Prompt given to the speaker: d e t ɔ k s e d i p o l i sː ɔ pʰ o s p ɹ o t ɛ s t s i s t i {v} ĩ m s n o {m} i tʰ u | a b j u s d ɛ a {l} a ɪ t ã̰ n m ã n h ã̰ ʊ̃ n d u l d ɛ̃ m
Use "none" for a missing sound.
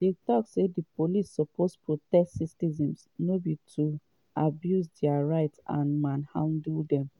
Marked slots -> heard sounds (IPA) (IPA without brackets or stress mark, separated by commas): z, b, ɹ